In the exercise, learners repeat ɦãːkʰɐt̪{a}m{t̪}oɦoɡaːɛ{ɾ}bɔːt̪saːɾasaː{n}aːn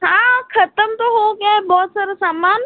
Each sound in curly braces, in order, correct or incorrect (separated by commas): incorrect, correct, incorrect, incorrect